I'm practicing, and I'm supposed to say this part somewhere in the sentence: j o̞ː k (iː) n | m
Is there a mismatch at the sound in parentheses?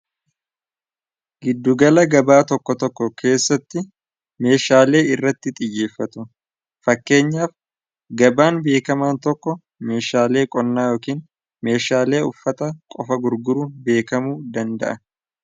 no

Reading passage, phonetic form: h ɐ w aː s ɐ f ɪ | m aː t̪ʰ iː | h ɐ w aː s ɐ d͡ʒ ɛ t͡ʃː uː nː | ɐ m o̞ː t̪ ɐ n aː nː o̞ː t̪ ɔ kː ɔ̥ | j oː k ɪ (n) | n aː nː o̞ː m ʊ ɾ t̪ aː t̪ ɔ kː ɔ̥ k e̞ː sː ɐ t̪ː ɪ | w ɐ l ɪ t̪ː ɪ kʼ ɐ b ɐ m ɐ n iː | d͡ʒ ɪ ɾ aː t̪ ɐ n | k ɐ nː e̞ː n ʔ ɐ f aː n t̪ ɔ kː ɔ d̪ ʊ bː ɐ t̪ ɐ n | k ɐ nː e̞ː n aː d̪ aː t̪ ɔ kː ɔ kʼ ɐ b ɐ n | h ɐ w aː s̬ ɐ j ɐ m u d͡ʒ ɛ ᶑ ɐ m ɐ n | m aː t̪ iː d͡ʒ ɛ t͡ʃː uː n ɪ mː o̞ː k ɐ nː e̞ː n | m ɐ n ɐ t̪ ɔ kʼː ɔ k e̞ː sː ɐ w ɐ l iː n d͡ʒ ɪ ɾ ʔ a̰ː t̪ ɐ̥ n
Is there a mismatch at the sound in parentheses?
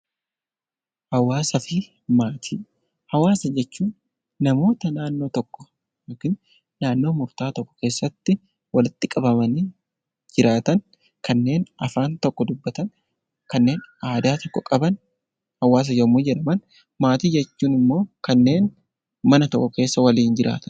no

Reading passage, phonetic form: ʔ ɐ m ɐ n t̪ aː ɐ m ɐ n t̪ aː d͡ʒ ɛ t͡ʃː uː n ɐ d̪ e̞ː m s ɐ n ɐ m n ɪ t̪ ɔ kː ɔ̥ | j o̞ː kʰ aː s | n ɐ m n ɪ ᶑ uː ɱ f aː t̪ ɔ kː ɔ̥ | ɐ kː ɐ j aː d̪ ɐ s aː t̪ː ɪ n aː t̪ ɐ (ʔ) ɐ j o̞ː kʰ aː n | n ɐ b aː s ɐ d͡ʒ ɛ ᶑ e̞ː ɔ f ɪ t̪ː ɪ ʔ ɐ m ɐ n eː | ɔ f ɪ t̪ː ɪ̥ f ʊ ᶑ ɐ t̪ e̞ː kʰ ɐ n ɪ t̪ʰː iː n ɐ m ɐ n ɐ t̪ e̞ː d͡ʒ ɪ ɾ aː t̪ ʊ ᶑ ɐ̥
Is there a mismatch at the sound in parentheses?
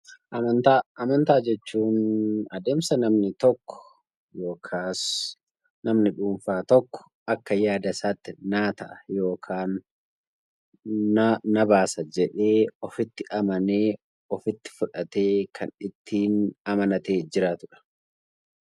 no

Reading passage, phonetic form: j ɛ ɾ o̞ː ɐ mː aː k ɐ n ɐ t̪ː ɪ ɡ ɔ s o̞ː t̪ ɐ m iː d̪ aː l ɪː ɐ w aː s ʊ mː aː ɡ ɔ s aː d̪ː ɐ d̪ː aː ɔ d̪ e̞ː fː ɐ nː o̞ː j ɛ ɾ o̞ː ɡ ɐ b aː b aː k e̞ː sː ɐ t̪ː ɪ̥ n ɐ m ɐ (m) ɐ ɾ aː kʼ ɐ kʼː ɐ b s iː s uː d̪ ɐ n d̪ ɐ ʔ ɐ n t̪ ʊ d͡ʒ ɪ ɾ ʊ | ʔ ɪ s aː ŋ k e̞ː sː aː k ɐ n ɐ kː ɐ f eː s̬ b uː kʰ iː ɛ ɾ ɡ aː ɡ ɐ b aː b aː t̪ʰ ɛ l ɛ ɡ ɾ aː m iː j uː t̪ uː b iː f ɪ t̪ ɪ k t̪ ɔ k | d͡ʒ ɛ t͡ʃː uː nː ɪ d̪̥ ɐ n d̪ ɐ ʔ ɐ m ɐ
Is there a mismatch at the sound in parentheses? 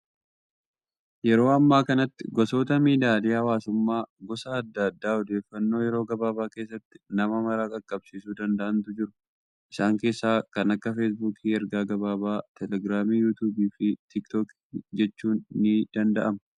no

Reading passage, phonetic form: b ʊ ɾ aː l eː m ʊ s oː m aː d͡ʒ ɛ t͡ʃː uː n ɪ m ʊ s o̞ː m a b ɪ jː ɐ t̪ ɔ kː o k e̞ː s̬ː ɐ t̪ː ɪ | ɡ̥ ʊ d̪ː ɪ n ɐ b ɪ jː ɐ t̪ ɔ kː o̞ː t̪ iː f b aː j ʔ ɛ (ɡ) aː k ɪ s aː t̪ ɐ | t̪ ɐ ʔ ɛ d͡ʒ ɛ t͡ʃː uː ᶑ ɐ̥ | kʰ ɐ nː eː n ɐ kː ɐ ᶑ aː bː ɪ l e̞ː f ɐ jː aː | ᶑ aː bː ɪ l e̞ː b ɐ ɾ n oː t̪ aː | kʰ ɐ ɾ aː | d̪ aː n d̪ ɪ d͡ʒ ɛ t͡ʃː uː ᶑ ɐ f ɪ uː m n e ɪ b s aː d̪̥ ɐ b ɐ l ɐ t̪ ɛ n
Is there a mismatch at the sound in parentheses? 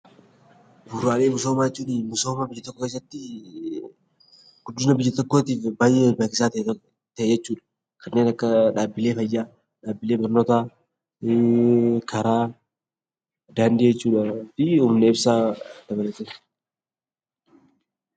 yes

